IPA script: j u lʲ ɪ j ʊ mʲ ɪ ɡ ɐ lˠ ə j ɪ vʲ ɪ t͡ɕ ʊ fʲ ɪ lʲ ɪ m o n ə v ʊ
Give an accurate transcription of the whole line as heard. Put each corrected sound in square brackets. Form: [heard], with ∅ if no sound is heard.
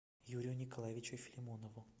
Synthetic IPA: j u [ɾʲ] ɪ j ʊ [nʲ] ɪ [k] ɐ lˠ [a] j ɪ vʲ ɪ t͡ɕ ʊ fʲ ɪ lʲ ɪ m o n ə v ʊ

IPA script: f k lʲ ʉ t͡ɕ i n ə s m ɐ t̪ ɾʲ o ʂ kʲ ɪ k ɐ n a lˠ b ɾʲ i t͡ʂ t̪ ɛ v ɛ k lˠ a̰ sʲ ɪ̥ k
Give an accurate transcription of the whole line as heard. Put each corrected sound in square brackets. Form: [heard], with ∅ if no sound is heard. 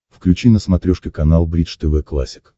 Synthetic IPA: f k lʲ ʉ t͡ɕ i n ə s m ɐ t̪ ɾʲ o ʂ kʲ ɪ k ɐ n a lˠ b ɾʲ i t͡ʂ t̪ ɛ v ɛ k lˠ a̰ sʲ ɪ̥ k

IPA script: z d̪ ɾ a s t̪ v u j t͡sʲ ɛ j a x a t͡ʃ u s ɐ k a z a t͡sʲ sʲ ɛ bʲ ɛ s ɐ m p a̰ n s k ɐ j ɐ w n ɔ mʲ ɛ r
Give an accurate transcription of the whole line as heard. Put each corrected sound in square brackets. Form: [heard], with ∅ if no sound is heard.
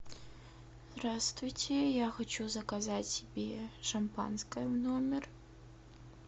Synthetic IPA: z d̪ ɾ a s t̪ v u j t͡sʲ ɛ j a x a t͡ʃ u [z] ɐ k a z a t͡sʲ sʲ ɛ bʲ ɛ [ʂ] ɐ m p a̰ n s k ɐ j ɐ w n ɔ mʲ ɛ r

